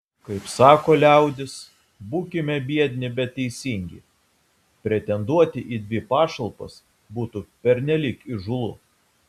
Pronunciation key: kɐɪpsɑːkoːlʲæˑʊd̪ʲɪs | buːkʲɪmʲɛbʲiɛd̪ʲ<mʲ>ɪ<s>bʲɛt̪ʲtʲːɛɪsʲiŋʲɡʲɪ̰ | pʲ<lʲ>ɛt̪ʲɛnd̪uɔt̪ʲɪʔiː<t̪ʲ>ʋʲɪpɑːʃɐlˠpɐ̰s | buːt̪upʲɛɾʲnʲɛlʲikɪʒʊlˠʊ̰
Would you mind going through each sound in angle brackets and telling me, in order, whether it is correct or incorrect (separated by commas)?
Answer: incorrect, incorrect, incorrect, incorrect